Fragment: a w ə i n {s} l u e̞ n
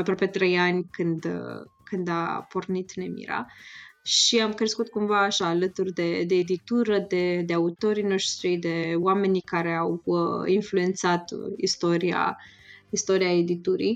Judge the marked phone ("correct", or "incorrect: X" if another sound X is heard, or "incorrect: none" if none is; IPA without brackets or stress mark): incorrect: f